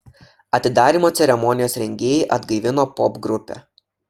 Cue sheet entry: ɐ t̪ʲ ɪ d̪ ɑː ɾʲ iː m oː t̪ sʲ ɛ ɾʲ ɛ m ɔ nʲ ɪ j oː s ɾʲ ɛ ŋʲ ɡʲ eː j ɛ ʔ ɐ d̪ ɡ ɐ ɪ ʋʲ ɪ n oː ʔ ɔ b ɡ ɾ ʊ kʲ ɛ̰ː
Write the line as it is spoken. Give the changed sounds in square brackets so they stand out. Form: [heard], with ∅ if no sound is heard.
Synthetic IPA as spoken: ɐ t̪ʲ ɪ d̪ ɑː ɾʲ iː m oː t̪ sʲ ɛ ɾʲ ɛ m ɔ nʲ ɪ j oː s ɾʲ ɛ ŋʲ ɡʲ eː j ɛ ʔ ɐ d̪ ɡ ɐ ɪ ʋʲ ɪ n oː [p] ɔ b ɡ ɾ ʊ [pʲ] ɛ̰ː